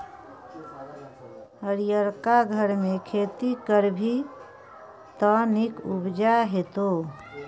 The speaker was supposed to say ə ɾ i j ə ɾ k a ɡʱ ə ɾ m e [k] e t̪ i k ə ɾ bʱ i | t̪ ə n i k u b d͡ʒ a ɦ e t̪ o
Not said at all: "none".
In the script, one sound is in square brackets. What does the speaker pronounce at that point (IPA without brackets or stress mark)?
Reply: kʰ